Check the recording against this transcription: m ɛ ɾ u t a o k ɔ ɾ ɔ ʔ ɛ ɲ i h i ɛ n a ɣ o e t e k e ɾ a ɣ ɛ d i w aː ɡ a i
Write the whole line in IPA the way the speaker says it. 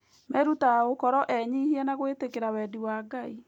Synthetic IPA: m ɛ ɾ u t a o k ɔ ɾ ɔ ʔ ɛ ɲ i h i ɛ n a ɣ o e t e k e ɾ a w ɛ d i w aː ɡ a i

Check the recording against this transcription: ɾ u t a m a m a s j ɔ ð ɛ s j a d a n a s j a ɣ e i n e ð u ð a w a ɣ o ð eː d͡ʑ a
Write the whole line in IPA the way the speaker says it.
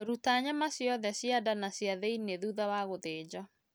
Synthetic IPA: ɾ u t a ɲ a m a s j ɔ ð ɛ s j a d a n a s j a ð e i n e ð u ð a w a ɣ o ð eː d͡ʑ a

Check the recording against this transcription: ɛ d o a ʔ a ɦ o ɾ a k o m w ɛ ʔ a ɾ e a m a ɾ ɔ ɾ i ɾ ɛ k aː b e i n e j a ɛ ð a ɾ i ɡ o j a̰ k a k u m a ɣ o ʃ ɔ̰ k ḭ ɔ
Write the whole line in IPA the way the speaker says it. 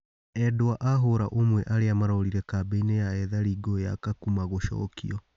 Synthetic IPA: ɛ d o a ʔ a ɦ o ɾ a ʔ o m w ɛ ʔ a ɾ e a m a ɾ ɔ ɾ i ɾ ɛ k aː b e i n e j a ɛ ð a ɾ i ɡ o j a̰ k a k u m a ɣ o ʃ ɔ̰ k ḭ ɔ

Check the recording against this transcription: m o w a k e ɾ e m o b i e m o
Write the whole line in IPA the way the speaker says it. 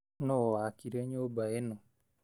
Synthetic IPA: n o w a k i ɾ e ɲ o b a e n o

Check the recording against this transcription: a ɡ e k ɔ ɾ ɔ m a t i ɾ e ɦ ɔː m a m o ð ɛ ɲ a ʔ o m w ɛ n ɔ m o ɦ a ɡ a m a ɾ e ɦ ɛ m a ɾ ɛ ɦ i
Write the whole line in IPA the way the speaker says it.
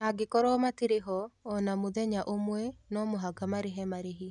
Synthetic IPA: a ɡ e k ɔ ɾ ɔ m a t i ɾ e ɦ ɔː n a m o ð ɛ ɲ a ʔ o m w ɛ n ɔ m o ɦ a ɡ a m a ɾ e ɦ ɛ m a ɾ e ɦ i

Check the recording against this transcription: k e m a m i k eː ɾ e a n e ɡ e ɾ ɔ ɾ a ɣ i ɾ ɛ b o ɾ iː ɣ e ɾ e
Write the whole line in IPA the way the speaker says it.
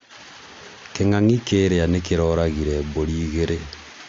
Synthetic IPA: k e ŋ a ŋ i k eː ɾ e a n e k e ɾ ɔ ɾ a ɣ i ɾ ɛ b o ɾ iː ɣ e ɾ e

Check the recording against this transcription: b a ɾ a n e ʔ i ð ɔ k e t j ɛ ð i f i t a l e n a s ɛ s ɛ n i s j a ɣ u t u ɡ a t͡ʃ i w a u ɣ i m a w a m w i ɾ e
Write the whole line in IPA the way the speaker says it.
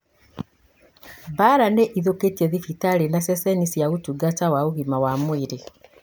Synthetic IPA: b a ɾ a n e ʔ i ð o k e t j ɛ ð i f i t a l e n a s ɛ s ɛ n i s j a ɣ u t u ɡ a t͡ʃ a w a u ɣ i m a w a m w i ɾ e

